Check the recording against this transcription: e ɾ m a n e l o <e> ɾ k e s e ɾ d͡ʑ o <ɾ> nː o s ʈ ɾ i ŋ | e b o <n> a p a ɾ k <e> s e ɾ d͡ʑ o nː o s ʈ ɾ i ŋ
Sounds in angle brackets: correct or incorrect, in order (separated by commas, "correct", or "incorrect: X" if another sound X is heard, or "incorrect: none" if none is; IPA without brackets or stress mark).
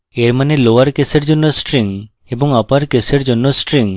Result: incorrect: a, incorrect: none, incorrect: ŋ, correct